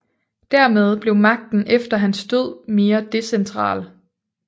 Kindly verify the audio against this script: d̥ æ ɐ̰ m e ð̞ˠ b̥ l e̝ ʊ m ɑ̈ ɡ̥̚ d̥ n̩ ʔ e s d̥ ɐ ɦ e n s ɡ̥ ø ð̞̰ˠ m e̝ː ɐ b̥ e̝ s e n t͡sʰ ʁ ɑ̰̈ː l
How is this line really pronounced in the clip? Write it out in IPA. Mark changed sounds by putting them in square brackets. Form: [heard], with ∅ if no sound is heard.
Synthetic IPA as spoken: d̥ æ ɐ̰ m e ð̞ˠ b̥ l e̝ ʊ m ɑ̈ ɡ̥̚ d̥ n̩ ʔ e [f] d̥ ɐ ɦ [æ] n s [d̥] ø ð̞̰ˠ m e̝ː ɐ [d̥] e̝ s e n t͡sʰ ʁ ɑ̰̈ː l